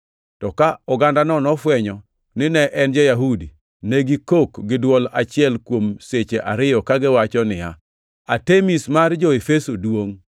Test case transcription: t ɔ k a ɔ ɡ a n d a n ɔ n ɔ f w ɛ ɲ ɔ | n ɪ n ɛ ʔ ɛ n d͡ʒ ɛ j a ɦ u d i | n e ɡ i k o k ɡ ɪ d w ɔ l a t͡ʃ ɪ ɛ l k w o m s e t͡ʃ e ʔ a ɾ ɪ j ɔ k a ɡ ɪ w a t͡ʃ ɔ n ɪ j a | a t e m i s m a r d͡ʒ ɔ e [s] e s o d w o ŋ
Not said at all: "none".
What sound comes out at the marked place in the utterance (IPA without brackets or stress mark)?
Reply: f